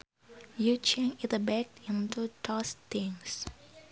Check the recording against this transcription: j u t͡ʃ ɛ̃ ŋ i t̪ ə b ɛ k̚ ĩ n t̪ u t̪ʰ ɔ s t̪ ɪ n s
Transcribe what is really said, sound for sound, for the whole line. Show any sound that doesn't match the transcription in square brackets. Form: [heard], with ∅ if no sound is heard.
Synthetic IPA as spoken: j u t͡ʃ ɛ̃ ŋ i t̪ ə b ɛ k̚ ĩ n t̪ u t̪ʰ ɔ s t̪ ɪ [ŋ] s